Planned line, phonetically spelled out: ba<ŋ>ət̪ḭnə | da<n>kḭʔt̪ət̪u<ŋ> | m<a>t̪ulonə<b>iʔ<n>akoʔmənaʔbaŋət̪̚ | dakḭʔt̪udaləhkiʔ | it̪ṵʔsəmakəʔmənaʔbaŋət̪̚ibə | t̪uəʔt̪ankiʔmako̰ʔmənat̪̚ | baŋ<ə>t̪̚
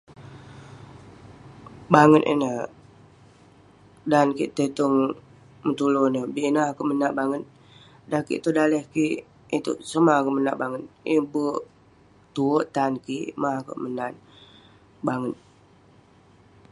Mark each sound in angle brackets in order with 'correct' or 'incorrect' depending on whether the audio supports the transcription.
correct, correct, correct, incorrect: ə, correct, correct, correct

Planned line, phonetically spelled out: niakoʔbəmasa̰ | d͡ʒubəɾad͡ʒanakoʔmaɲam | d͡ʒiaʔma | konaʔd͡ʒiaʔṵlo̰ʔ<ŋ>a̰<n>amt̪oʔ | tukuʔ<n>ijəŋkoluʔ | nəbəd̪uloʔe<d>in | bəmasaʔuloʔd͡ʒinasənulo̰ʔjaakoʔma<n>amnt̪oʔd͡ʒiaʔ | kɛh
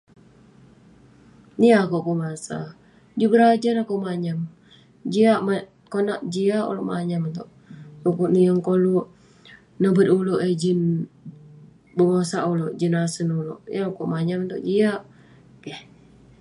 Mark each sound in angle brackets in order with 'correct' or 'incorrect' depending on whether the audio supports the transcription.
incorrect: m, incorrect: ɲ, correct, incorrect: d͡ʒ, incorrect: ɲ

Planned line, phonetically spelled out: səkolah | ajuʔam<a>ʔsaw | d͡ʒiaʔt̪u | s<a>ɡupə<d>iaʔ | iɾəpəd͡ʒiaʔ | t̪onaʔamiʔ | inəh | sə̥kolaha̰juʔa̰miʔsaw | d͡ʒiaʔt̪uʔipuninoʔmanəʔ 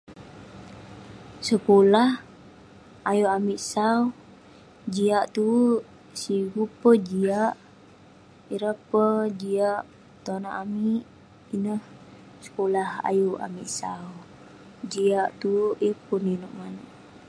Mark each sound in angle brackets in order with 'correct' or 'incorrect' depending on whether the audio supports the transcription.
incorrect: i, incorrect: i, incorrect: d͡ʒ

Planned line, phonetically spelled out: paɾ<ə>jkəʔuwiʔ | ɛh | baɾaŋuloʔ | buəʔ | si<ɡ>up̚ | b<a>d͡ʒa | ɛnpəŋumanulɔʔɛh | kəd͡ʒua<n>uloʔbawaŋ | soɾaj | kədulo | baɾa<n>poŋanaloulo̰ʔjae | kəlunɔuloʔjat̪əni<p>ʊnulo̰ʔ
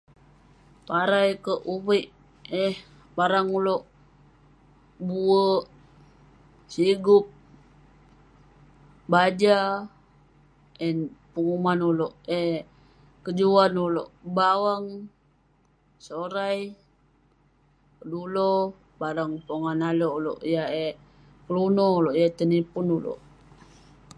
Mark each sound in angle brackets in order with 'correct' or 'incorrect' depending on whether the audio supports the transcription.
incorrect: a, correct, correct, correct, incorrect: ŋ, correct

